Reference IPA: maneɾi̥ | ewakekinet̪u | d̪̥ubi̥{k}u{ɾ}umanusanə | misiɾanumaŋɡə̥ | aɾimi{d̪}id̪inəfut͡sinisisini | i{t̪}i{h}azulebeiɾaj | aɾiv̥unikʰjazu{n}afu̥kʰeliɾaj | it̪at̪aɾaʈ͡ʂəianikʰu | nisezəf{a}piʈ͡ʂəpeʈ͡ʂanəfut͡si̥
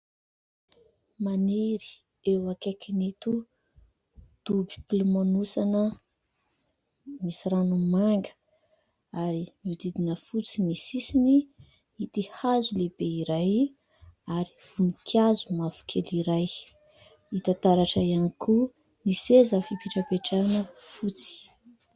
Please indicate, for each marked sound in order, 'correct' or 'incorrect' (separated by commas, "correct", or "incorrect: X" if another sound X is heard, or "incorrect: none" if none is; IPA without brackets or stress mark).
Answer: incorrect: p, incorrect: l, correct, correct, correct, incorrect: m, incorrect: i